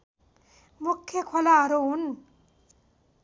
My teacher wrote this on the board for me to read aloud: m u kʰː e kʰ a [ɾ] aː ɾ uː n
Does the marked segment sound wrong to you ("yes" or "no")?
yes